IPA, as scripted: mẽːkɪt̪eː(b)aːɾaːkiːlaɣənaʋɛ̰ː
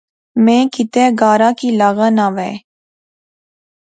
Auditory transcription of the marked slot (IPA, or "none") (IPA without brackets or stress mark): ɡ